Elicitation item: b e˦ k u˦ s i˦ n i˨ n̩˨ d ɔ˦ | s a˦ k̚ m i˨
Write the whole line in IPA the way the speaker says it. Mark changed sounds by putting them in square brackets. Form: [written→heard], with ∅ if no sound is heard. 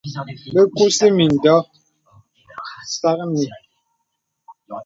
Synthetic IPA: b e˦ k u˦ s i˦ [n→m] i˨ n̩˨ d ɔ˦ | s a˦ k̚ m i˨